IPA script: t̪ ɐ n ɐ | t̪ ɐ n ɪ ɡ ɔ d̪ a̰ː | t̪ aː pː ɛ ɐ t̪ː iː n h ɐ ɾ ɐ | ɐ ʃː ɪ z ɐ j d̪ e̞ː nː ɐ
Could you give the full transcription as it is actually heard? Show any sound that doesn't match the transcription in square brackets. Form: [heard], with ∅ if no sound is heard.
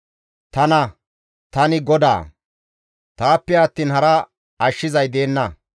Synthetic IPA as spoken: t̪ ɐ n ɐ | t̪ ɐ n ɪ ɡ ɔ d̪ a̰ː | t̪ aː pː ɛ ɐ t̪ː iː n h ɐ ɾ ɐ | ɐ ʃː ɪ z ɐ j d̪ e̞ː nː ɐ